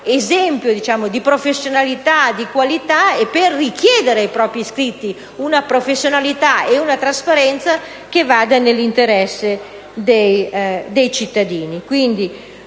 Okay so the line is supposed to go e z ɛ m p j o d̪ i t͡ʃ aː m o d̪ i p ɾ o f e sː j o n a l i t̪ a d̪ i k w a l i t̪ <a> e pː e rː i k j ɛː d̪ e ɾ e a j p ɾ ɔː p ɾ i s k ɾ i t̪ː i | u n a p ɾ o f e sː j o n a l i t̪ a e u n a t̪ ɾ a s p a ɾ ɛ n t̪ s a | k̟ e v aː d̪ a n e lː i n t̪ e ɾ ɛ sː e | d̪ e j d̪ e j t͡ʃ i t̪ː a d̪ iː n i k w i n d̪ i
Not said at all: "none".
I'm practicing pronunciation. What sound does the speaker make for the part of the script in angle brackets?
a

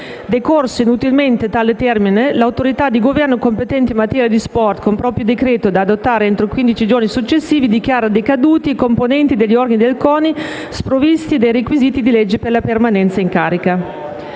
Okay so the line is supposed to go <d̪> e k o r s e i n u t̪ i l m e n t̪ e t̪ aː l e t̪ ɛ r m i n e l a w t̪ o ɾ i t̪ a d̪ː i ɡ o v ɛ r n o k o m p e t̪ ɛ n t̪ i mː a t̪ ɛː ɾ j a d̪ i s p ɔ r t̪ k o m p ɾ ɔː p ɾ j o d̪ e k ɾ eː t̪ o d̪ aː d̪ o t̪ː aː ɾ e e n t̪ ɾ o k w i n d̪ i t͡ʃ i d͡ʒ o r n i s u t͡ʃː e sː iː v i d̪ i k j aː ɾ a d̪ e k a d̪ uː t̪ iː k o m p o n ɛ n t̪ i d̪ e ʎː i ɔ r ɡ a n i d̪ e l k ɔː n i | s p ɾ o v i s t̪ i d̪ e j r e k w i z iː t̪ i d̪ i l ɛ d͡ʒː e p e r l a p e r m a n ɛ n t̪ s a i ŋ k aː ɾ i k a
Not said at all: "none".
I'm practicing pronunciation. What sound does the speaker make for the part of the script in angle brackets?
d̪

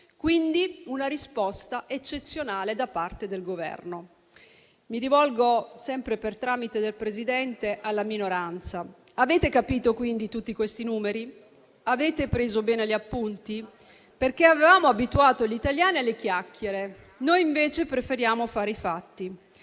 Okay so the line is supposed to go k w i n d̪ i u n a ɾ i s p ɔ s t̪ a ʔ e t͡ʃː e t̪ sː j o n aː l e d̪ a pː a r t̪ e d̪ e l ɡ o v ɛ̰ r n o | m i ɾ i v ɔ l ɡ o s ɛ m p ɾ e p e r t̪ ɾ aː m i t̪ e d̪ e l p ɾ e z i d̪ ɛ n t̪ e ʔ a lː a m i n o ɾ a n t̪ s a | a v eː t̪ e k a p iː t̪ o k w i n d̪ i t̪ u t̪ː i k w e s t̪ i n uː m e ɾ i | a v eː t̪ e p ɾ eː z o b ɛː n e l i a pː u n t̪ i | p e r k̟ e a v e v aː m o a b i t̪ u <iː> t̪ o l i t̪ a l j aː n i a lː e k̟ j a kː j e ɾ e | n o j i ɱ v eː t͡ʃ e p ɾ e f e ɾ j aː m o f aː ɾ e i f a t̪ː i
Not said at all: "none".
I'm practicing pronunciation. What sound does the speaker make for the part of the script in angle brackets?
aː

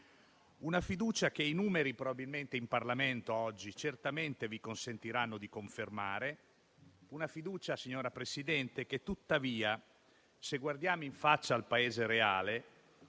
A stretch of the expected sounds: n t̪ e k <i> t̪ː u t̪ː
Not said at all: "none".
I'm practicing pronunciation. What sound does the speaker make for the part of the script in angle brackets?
e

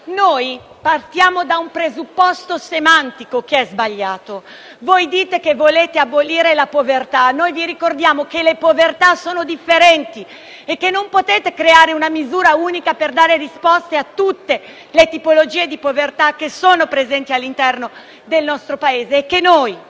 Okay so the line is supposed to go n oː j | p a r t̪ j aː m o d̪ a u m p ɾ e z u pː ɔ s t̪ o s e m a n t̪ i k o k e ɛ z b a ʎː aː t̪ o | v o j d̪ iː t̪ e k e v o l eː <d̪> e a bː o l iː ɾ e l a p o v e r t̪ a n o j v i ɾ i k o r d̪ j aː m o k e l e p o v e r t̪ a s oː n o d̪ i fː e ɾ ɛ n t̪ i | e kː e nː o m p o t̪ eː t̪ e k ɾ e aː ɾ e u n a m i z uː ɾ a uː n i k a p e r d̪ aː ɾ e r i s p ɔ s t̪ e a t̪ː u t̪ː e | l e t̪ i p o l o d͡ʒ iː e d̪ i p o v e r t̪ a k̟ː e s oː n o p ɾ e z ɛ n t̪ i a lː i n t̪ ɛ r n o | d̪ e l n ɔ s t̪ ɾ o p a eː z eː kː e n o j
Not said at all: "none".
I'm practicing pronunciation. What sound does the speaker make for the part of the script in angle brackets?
t̪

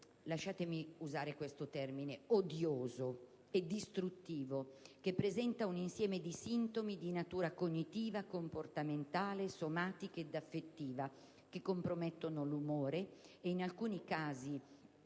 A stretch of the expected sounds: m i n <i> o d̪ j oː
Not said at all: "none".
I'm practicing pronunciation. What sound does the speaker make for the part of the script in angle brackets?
e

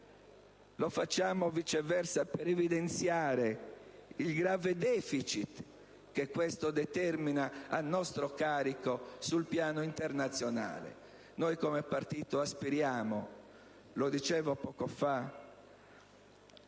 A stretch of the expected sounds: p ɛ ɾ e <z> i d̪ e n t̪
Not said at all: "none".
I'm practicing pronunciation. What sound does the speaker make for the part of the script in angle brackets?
v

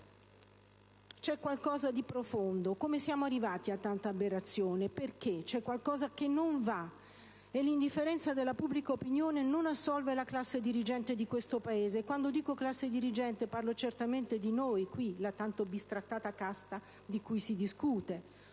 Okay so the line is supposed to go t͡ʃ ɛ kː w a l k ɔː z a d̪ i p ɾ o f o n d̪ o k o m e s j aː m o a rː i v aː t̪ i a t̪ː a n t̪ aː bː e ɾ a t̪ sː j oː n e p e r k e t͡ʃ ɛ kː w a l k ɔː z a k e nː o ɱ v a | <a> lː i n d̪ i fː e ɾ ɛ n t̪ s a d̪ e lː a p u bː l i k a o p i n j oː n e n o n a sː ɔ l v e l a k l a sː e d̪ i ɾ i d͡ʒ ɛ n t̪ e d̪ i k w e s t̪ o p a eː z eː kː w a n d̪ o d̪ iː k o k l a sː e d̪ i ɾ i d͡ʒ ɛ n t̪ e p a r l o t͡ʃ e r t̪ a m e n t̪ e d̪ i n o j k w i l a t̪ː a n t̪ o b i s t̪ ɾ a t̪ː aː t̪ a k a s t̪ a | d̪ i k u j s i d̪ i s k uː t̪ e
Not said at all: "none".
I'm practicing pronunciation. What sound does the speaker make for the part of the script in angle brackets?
e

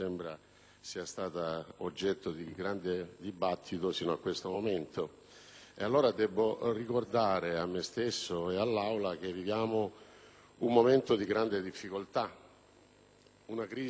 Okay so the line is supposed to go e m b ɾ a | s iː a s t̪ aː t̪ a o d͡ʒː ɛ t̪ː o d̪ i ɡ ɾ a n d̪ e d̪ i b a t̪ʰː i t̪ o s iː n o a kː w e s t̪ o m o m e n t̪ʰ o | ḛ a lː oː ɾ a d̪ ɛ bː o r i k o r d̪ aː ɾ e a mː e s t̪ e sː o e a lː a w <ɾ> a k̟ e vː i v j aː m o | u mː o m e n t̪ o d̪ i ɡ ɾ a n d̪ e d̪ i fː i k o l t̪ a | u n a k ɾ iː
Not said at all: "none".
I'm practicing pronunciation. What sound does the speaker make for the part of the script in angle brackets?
l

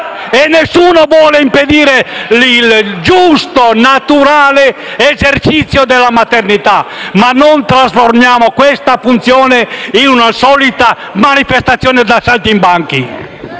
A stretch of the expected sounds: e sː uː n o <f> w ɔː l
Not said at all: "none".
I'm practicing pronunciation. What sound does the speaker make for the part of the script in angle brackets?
v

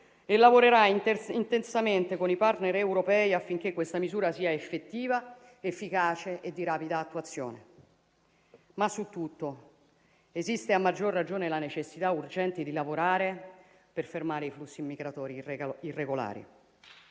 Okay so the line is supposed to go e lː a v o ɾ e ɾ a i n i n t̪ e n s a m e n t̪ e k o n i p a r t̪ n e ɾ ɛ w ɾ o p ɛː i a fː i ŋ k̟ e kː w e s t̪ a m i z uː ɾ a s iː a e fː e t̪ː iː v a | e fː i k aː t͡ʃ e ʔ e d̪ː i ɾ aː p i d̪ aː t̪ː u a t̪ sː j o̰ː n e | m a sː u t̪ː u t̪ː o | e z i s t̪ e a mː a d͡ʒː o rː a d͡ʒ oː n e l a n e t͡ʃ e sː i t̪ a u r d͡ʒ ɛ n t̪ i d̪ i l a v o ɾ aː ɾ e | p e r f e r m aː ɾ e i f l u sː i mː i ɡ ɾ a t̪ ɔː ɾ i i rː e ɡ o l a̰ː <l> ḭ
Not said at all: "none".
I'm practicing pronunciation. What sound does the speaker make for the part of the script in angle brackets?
ɾ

